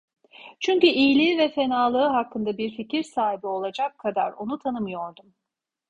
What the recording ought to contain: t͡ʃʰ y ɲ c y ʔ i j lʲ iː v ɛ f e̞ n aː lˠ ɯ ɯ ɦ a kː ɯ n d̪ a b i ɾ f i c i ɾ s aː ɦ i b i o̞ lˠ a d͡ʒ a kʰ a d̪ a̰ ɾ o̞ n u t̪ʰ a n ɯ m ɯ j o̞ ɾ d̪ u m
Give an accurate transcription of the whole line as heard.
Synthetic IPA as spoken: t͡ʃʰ y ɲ c y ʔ i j lʲ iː v ɛ f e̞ n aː lˠ ɯ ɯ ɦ a kː ɯ n d̪ a b i ɾ f i c i ɾ s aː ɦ i b i o̞ lˠ a d͡ʒ a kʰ a d̪ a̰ ɾ o̞ n u t̪ʰ a n ɯ m ɯ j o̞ ɾ d̪ u m